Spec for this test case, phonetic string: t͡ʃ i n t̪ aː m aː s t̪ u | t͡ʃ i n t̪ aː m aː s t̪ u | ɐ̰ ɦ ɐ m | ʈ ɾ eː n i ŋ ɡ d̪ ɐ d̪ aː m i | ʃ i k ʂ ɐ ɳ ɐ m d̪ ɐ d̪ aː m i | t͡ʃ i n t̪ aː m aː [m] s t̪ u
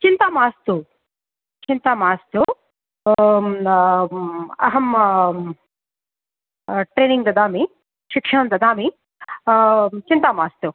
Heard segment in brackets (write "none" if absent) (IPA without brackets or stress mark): none